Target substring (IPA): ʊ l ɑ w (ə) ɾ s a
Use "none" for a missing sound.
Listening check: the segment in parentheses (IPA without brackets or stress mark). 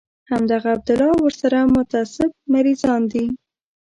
ə